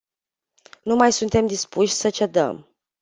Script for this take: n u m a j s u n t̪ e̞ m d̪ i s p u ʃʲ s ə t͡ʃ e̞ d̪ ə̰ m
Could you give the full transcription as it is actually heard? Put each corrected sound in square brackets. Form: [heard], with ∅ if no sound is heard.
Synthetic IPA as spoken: n u m a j s u n t̪ e̞ m d̪ i s p u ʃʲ s ə t͡ʃ e̞ d̪ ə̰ m